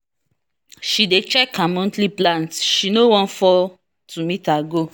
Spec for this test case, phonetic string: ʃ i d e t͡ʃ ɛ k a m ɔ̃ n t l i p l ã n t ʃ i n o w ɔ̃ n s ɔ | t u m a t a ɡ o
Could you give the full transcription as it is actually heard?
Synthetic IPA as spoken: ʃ i d e t͡ʃ ɛ k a m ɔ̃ n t l i p l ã n t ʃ i n o w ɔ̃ n f ɔ | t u m i t a ɡ o